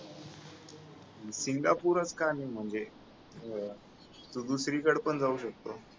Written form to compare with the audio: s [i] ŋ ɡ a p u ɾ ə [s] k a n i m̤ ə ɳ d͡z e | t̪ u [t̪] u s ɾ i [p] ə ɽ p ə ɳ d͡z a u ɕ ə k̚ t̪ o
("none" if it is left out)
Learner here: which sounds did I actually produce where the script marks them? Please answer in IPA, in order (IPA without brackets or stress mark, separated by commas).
i, t͡s, d̪, k